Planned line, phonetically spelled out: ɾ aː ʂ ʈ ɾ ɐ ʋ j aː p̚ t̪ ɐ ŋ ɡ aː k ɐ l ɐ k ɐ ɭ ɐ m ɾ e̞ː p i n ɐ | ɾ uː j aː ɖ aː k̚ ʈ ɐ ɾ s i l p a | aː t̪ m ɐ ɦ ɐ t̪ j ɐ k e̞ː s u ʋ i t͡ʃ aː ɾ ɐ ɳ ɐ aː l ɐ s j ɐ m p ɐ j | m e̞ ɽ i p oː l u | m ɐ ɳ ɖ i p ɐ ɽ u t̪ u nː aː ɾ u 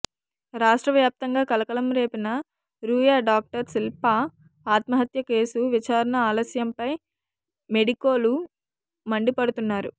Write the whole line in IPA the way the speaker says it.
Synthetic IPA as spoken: ɾ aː ʂ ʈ ɾ ɐ ʋ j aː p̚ t̪ ɐ ŋ ɡ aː k ɐ l ɐ k ɐ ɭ ɐ m ɾ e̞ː p i n ɐ | ɾ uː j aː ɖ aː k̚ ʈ ɐ ɾ s i l p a | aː t̪ m ɐ ɦ ɐ t̪ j ɐ k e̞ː s u ʋ i t͡ʃ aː ɾ ɐ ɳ ɐ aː l ɐ s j ɐ m p ɐ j | m e̞ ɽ i k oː l u | m ɐ ɳ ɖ i p ɐ ɽ u t̪ u nː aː ɾ u

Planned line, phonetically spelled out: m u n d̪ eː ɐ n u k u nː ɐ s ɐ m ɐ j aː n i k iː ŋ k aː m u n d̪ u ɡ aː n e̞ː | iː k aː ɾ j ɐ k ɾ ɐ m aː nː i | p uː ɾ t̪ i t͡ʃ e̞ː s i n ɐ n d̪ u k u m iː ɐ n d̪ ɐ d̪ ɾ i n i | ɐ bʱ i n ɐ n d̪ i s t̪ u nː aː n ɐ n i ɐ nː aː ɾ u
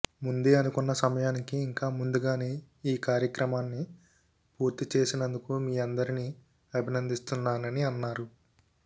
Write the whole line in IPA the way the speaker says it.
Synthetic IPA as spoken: m u n d̪ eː ɐ n u k u nː ɐ s ɐ m ɐ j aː n i k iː ŋ k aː m u n d̪ u ɡ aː n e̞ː | iː k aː ɾ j ɐ k ɾ ɐ m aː nː i | p uː ɾ t̪ i t͡ʃ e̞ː s i n ɐ n d̪ u k u m iː ɐ n d̪ ɐ ɾ i n i | ɐ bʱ i n ɐ n d̪ i s t̪ u nː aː n ɐ n i ɐ nː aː ɾ u

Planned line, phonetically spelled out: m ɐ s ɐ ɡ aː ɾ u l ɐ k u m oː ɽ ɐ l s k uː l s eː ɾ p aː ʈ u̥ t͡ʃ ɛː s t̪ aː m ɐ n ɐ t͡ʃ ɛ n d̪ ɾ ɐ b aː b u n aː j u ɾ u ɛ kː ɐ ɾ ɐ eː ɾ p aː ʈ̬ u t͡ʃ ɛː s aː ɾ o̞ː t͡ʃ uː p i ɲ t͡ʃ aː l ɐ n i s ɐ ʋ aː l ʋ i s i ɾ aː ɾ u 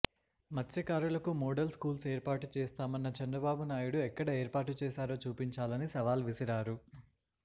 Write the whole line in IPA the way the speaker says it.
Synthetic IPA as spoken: m ɐ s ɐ k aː ɾ u l ɐ k u m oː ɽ ɐ l s k uː l s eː ɾ p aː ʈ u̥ t͡ʃ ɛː s t̪ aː m ɐ nː ɐ t͡ʃ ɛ n d̪ ɾ ɐ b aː b u n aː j u ɽ u ɛ kː ɐ ɽ ɐ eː ɾ p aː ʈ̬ u t͡ʃ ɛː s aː ɾ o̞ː t͡ʃ uː p i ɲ t͡ʃ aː l ɐ n i s ɐ ʋ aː l ʋ i s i ɾ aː ɾ u

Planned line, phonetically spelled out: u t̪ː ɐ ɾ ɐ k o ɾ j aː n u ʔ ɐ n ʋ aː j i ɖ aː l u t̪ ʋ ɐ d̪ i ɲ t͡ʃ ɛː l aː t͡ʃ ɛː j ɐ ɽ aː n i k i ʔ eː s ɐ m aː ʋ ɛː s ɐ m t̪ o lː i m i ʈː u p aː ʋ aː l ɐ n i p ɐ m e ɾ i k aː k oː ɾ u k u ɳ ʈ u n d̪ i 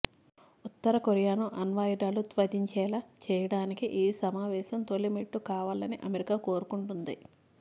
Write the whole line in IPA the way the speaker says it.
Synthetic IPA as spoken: u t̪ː ɐ ɾ ɐ k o ɾ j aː n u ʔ ɐ n ʋ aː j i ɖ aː l u t̪ ʋ ɐ d̪ i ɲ t͡ʃ ɛː l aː t͡ʃ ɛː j ɐ ɽ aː n i k i ʔ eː s ɐ m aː ʋ ɛː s ɐ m t̪ o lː i m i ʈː u k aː ʋ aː l ɐ n i ʔ ɐ m e ɾ i k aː k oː ɾ u k u ɳ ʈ u n d̪ i

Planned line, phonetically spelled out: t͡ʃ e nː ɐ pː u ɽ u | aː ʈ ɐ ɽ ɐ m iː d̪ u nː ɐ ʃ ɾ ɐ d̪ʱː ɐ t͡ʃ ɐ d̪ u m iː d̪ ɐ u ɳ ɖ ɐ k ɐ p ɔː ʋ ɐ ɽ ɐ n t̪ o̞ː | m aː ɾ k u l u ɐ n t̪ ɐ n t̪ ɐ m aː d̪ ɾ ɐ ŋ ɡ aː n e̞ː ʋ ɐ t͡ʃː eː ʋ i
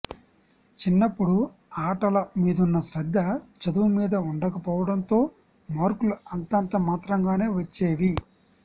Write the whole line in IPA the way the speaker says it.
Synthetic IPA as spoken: t͡ʃ i nː ɐ pː u ɽ u | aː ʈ ɐ l ɐ m iː d̪ u nː ɐ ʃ ɾ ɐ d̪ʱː ɐ t͡ʃ ɐ d̪ u m iː d̪ ɐ u ɳ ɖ ɐ k ɐ p ɔː ʋ ɐ ɽ ɐ n t̪ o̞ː | m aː ɾ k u l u ɐ n t̪ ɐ n t̪ ɐ m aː t̪ ɾ ɐ ŋ ɡ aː n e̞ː ʋ ɐ t͡ʃː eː ʋ i

